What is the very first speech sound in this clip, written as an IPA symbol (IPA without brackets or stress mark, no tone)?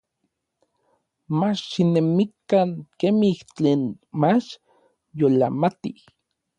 m